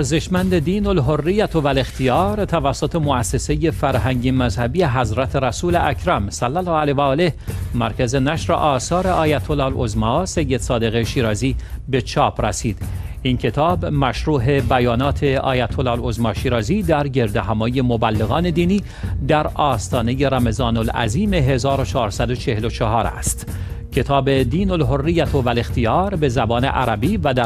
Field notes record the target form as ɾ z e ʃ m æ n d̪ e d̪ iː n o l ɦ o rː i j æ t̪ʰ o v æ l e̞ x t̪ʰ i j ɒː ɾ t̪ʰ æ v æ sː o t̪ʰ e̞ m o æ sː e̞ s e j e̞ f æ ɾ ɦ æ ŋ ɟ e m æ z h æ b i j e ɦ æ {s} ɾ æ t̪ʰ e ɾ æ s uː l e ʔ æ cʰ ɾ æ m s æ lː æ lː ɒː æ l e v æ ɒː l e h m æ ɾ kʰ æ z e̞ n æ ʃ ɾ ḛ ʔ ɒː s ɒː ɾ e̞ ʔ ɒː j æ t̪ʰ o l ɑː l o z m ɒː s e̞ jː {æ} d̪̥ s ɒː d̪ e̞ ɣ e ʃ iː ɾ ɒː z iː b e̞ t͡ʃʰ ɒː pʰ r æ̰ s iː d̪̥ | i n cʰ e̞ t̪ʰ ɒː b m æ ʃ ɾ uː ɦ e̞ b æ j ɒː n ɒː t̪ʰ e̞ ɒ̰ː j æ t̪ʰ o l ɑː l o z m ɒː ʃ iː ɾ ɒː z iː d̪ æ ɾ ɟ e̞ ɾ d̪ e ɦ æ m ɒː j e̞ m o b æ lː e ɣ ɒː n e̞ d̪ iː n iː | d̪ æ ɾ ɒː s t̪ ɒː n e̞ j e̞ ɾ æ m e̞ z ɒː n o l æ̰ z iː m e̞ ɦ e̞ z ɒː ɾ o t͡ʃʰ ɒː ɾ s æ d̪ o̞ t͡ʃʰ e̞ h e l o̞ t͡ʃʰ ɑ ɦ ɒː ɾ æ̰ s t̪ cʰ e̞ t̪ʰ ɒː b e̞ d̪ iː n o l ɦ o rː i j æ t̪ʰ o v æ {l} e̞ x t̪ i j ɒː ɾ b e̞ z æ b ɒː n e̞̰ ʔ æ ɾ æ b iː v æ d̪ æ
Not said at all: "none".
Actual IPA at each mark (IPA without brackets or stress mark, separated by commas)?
z, e, l